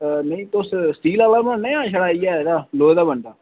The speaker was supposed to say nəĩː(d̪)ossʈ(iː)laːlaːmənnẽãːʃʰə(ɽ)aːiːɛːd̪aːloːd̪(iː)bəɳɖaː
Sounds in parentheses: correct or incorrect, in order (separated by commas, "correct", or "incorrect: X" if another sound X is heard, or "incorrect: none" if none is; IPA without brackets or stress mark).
incorrect: t̪, correct, correct, incorrect: aː